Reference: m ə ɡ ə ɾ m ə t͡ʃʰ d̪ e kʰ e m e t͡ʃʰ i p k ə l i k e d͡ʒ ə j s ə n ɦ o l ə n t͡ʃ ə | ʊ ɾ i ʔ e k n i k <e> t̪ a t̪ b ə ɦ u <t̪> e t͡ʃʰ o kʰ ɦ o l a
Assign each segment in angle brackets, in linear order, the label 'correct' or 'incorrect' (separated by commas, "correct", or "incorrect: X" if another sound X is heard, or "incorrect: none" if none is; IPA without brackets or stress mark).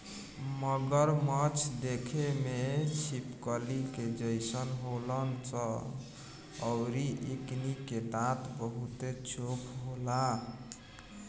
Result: correct, correct